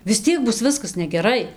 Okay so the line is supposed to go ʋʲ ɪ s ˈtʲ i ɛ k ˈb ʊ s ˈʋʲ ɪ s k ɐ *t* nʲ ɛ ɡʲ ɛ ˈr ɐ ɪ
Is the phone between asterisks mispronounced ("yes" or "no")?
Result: yes